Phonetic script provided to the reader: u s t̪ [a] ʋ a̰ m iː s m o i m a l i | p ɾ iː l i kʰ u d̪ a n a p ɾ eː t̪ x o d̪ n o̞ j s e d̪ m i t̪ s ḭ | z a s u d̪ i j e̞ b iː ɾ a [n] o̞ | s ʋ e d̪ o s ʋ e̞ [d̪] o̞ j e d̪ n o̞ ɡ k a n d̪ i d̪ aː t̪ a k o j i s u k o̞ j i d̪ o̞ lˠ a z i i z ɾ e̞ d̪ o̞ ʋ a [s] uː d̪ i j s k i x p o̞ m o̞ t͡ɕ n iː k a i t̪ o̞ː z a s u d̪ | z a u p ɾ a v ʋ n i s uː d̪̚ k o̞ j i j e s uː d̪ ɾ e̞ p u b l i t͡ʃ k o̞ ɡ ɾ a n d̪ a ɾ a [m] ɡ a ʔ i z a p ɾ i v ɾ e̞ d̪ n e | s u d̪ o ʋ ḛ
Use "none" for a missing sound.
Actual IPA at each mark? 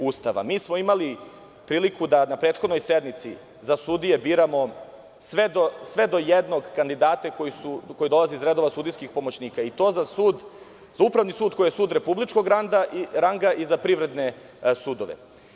a, m, d̪, s, ŋ

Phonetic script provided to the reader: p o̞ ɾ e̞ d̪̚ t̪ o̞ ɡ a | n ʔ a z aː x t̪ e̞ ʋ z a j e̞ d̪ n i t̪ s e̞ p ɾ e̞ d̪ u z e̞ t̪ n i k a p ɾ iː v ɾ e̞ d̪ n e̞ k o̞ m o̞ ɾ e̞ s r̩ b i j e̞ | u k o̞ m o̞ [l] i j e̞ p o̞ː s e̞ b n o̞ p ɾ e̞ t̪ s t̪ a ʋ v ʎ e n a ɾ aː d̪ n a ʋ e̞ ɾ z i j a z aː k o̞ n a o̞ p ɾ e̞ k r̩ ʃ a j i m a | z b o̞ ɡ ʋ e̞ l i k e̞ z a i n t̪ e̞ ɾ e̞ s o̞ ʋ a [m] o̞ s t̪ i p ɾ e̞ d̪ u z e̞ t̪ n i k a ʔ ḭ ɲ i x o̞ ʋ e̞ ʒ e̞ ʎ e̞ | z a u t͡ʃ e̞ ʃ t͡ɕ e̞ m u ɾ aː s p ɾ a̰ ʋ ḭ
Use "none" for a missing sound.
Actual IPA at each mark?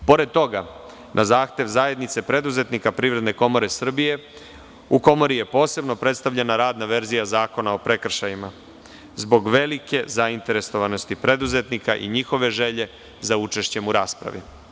ɾ, n

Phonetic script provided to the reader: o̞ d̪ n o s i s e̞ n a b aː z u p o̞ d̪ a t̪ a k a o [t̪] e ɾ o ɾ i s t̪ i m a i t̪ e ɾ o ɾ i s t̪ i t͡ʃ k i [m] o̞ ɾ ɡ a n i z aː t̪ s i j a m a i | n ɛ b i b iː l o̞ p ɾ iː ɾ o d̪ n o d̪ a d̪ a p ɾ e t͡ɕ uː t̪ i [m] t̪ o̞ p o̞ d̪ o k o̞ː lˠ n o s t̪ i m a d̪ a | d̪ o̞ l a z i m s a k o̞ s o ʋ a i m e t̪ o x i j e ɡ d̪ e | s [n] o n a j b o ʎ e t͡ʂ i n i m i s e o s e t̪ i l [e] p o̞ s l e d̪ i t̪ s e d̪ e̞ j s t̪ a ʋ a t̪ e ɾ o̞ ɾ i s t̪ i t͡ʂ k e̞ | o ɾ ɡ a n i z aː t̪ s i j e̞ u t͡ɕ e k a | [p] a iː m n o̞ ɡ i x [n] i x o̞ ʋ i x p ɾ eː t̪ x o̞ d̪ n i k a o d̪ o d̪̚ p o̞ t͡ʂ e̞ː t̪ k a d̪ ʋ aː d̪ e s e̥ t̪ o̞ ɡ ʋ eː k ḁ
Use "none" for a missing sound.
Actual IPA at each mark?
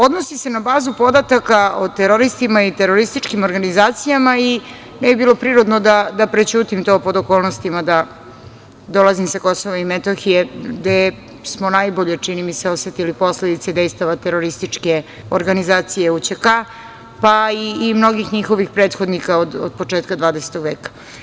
t̪, m, m, m, i, p, ɲ

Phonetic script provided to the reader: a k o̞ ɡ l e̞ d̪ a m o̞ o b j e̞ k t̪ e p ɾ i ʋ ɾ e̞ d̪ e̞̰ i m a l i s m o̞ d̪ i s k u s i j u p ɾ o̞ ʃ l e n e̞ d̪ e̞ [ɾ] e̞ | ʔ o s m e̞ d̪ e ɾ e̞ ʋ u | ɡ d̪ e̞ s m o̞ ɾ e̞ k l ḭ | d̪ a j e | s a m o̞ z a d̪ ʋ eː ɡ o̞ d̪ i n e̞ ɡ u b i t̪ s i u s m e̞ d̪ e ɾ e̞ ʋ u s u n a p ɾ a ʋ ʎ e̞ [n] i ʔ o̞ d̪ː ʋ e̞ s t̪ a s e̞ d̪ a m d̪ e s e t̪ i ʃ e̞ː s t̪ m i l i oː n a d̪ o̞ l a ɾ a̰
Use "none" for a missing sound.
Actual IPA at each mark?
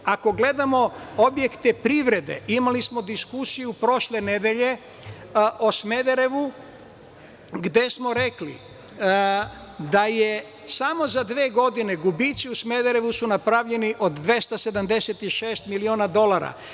ʎ, n

